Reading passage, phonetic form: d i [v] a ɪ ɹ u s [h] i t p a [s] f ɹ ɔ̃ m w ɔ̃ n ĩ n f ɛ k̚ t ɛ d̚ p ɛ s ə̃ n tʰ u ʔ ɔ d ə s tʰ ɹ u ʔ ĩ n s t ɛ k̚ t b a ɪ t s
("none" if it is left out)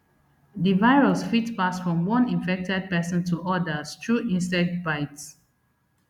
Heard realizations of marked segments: v, f, s

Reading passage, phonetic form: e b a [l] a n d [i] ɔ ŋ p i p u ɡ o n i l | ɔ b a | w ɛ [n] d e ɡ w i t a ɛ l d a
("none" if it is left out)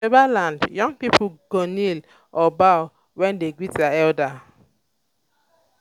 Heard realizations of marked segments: l, j, n

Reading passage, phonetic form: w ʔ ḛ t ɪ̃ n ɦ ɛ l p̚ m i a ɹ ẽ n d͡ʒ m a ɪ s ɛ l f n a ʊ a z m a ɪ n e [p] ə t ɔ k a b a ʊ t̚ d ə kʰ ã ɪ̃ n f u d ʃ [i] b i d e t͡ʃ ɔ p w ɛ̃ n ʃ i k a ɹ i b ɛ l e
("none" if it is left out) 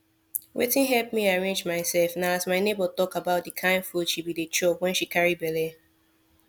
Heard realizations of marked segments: b, i

